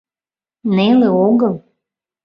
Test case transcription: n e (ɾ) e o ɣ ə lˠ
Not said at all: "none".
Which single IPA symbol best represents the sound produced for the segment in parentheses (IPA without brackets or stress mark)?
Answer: l